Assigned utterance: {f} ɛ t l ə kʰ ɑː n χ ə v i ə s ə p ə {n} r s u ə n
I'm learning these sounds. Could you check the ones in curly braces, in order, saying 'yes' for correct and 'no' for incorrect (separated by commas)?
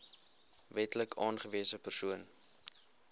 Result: no, no